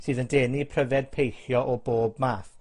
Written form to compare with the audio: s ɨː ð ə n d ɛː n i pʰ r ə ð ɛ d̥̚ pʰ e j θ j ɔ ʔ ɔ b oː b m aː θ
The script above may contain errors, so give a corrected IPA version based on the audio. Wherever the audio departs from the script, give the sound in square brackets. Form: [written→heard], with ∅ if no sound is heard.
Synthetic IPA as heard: s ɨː ð ə n d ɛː n i pʰ r ə [ð→v] ɛ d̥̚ pʰ e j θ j ɔ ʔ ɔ b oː b m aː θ